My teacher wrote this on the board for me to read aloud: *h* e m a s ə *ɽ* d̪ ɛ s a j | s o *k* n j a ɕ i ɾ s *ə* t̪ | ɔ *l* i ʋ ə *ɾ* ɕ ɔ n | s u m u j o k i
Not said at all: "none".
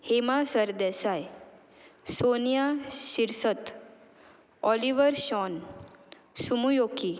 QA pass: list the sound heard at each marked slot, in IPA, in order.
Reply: h, ɾ, none, ə, l, ɾ

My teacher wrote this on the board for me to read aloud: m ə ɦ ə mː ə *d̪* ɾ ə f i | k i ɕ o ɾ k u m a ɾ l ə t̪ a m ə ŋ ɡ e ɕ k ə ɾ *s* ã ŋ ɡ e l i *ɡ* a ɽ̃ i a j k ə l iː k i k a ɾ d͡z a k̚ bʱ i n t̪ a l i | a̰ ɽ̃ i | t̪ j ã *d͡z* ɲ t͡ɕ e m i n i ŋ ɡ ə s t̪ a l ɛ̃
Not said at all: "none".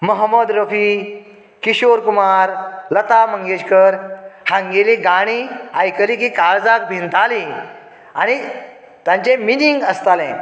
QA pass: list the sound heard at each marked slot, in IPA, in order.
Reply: d̪, h, ɡ, none

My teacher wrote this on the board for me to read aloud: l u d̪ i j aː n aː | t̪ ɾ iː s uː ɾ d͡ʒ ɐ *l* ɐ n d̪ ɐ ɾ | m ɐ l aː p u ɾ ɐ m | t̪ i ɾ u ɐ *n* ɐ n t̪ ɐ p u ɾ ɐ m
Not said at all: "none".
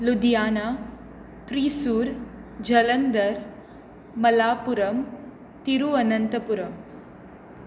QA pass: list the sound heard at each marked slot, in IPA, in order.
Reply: l, n

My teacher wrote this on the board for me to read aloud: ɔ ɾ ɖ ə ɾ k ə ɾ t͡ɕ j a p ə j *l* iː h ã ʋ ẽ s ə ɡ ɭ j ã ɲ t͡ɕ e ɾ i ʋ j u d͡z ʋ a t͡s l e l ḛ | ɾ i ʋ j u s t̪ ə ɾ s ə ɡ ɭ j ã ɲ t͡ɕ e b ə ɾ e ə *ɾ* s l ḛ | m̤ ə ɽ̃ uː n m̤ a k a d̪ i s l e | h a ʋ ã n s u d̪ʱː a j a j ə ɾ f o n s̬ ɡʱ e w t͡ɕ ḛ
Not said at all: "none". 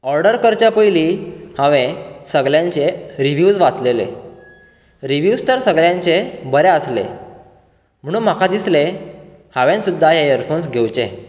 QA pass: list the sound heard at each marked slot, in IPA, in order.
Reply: l, none

